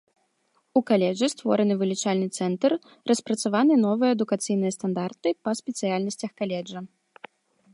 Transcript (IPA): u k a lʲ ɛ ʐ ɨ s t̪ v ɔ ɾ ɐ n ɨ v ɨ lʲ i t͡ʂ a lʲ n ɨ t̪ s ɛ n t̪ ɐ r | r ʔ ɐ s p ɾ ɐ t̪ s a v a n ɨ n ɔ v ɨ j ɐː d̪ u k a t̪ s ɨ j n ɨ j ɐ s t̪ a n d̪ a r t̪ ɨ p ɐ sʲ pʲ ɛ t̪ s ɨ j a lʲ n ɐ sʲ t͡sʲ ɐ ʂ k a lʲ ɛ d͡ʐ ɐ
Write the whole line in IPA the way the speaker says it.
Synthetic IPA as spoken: u k a lʲ ɛ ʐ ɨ s t̪ v ɔ ɾ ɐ n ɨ v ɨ lʲ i t͡ʂ a lʲ n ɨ t̪ s ɛ n t̪ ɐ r | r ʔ ɐ s p ɾ ɐ t̪ s a v a n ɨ n ɔ v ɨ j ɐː d̪ u k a t̪ s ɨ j n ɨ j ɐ s t̪ a n d̪ a r t̪ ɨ p ɐ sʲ pʲ ɛ t̪ s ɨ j a lʲ n ɐ sʲ t͡sʲ ɐ x k a lʲ ɛ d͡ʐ ɐ